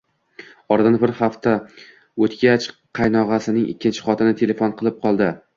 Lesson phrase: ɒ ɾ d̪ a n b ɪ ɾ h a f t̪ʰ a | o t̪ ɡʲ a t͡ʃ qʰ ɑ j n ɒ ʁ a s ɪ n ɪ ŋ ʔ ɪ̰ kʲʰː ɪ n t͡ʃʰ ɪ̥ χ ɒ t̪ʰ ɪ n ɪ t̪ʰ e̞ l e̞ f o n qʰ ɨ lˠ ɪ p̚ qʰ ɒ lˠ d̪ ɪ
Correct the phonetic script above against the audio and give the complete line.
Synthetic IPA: ɒ ɾ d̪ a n b ɪ ɾ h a f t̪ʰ a | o t̪ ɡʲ a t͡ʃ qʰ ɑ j n ɒ ʁ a s ɪ n ɪ ŋ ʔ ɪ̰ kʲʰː ɪ n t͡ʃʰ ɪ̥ χ ɒ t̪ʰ ɪ n ɪ t̪ʰ e̞ l e̞ f o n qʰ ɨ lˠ ɪ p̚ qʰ ɒ lˠ d̪ ɪ